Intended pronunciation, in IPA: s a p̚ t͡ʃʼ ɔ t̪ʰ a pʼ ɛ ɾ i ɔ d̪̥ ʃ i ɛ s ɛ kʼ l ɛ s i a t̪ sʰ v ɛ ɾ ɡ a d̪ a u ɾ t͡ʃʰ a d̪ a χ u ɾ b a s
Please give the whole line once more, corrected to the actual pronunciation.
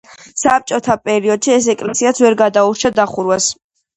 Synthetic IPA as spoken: s a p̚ t͡ʃʼ ɔ t̪ʰ a pʼ ɛ ɾ i ɔ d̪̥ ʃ i ɛ s ɛ kʼ l ɛ s i a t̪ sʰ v ɛ ɾ ɡ a d̪ a u ɾ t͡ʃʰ a d̪ a χ u ɾ w a s